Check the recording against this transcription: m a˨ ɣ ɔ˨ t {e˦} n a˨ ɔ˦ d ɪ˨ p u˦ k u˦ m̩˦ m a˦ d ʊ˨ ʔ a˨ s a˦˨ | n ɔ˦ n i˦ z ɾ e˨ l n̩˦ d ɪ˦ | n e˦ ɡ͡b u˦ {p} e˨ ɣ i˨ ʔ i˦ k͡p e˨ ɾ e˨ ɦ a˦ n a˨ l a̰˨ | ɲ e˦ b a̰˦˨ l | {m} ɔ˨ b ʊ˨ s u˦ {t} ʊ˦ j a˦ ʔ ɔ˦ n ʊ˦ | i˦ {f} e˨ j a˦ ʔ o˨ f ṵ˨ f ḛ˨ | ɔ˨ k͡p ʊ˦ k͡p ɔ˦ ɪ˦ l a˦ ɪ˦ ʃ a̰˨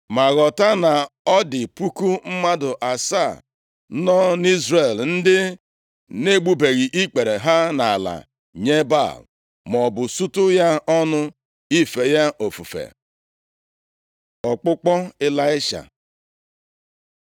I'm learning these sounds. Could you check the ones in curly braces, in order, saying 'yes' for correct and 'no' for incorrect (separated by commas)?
no, no, yes, yes, yes